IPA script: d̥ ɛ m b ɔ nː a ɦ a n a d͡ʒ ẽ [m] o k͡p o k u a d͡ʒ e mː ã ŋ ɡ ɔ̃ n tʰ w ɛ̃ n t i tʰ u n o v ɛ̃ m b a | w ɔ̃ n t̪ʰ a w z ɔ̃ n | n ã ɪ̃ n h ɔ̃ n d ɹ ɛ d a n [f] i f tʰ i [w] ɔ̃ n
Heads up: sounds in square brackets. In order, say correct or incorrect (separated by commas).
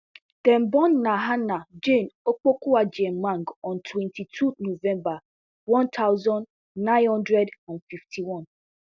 incorrect, correct, correct